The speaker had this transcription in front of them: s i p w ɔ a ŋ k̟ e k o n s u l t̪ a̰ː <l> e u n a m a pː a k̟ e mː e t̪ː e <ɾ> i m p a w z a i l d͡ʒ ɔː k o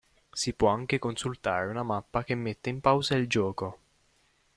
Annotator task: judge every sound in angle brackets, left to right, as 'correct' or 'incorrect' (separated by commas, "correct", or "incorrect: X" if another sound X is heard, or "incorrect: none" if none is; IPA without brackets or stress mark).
incorrect: ɾ, incorrect: none